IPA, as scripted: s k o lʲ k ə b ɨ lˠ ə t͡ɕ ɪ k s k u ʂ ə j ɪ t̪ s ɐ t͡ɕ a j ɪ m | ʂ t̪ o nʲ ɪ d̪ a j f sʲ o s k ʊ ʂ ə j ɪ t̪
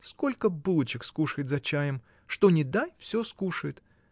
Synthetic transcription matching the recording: s k o lʲ k ə b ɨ lˠ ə t͡ɕ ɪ k s k u ʂ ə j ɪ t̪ z ɐ t͡ɕ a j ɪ m | ʂ t̪ o nʲ ɪ d̪ a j f sʲ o s k u ʂ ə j ɪ t̪